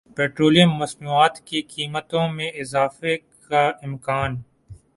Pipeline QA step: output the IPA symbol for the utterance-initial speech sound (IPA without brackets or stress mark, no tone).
p